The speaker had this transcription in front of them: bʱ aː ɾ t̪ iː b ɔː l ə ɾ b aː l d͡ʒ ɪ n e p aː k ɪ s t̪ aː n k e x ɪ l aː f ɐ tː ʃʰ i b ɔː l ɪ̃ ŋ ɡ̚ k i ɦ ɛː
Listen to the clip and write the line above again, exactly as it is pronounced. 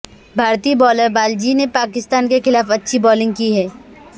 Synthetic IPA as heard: bʱ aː ɾ t̪ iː b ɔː l ə ɾ b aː l d͡ʒ i n e p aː k ɪ s t̪ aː n k e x ɪ l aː f ɐ tː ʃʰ i b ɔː l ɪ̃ ŋ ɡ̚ k i ɦ ɛː